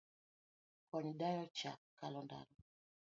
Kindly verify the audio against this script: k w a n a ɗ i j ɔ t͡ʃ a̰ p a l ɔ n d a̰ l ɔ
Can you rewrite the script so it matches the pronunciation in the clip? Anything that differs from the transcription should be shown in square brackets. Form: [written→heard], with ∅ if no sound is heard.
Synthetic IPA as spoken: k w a n [a→i] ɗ [i→a] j ɔ t͡ʃ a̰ [p→k] a l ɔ n d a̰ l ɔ

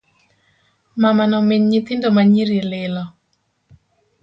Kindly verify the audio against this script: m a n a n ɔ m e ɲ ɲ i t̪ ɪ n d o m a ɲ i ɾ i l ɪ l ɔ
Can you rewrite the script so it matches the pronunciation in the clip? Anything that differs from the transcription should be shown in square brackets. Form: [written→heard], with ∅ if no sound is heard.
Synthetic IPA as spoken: m a [n→m] a n ɔ m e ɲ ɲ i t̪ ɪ n d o m a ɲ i ɾ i l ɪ l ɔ

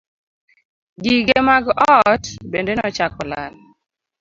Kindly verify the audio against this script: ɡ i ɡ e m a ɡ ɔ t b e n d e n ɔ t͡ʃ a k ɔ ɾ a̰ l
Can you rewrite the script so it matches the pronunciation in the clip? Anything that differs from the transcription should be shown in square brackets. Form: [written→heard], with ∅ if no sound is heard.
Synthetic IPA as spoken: ɡ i ɡ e m a ɡ ɔ t b e n d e n ɔ t͡ʃ a k ɔ [ɾ→l] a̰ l

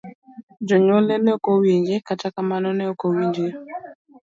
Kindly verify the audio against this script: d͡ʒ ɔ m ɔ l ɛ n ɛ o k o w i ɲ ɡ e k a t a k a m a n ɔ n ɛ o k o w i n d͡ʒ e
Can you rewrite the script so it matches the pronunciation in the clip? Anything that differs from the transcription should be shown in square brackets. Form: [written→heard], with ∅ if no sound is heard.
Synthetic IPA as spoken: d͡ʒ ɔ [m→ɲ] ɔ l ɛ n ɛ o k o w i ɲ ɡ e k a t a k a m a n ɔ n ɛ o k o w i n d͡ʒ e

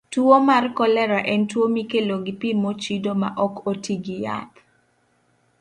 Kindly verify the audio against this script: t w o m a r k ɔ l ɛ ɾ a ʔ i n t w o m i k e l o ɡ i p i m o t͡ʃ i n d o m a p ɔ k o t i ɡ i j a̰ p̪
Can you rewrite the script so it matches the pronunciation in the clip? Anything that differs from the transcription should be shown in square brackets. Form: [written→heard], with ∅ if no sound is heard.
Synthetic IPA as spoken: t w o m a r k ɔ l ɛ ɾ a ʔ [i→ɛ] n t w o m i k e l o ɡ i p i m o t͡ʃ i [n→∅] d o m a [p→ʔ] ɔ k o t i ɡ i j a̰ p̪

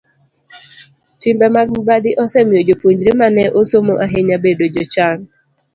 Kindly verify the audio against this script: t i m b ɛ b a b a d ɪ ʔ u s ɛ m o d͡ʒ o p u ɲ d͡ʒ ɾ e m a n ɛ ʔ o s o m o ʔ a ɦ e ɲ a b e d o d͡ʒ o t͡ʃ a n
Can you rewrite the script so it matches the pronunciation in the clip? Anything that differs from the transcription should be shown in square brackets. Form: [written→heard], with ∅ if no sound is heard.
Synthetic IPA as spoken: t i m b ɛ [b→m] a b a d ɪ ʔ [u→ɔ] s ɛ m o d͡ʒ o p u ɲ d͡ʒ ɾ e m a n ɛ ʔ o s o m o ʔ a ɦ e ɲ a b e d o d͡ʒ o t͡ʃ a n

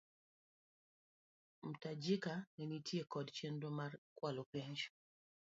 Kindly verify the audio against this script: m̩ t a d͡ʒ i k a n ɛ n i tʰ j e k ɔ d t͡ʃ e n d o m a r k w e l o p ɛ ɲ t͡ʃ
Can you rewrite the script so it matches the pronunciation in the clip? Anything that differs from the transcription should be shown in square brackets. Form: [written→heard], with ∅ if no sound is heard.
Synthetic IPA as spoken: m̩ t a d͡ʒ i k a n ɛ n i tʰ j e k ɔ d t͡ʃ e n d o m a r k w [e→a] l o p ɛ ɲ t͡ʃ

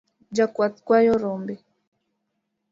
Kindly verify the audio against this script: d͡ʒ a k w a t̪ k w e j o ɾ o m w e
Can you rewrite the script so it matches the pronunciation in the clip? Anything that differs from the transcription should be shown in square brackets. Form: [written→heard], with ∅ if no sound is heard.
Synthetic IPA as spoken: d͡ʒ a k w a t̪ k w [e→a] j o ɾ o m [w→b] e

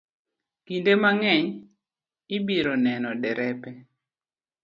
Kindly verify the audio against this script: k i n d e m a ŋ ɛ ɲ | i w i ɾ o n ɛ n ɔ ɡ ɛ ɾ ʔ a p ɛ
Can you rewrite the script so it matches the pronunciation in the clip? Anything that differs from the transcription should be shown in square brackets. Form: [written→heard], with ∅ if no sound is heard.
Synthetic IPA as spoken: k i n d e m a ŋ ɛ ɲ | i [w→b] i ɾ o n ɛ n ɔ [ɡ→d] ɛ ɾ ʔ [a→ɛ] p ɛ

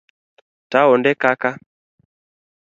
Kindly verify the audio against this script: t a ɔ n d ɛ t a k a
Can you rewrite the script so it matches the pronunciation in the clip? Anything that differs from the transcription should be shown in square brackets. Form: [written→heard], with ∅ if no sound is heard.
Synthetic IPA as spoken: t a ɔ n d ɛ [t→k] a k a

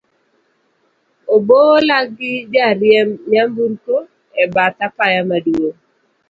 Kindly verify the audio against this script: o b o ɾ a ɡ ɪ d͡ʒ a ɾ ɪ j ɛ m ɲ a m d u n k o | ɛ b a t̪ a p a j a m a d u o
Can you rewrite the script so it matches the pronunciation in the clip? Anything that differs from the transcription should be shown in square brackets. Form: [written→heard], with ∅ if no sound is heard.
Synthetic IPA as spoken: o b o [ɾ→l] a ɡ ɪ d͡ʒ a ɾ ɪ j ɛ m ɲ a m [d→b] u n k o | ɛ b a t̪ a p a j a m a d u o

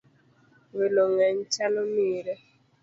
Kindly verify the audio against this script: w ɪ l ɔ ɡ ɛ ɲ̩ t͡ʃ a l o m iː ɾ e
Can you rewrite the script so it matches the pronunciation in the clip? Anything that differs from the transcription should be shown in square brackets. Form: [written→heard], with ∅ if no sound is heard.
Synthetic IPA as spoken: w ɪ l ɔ [ɡ→ŋ] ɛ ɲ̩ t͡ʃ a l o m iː ɾ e

